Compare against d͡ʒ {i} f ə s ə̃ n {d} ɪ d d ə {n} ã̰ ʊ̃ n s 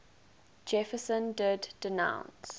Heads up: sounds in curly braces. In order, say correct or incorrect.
incorrect: ɛ, correct, correct

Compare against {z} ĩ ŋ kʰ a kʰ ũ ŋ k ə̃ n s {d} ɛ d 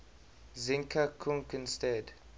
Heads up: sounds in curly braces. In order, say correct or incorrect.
correct, incorrect: t

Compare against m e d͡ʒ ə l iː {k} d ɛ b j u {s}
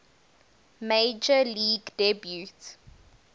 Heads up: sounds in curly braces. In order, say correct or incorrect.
incorrect: ɡ, incorrect: t

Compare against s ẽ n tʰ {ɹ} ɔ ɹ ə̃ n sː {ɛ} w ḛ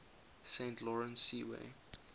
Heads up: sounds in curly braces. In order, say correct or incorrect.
incorrect: l, incorrect: i

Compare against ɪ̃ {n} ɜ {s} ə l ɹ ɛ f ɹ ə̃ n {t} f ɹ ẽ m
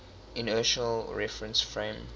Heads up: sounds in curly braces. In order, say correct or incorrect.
correct, incorrect: ʃ, incorrect: s

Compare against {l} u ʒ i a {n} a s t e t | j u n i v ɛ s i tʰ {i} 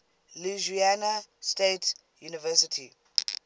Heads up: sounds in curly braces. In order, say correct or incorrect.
correct, correct, correct

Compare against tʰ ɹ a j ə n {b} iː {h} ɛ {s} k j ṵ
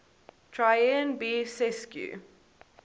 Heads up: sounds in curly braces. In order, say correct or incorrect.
correct, incorrect: s, correct

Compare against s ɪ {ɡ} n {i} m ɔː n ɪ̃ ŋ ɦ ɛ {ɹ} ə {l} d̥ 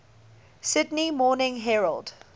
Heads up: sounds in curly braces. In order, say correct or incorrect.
incorrect: d, correct, correct, correct

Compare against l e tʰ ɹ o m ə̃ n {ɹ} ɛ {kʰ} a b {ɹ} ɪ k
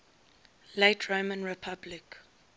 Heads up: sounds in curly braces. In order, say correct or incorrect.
correct, incorrect: pʰ, incorrect: l

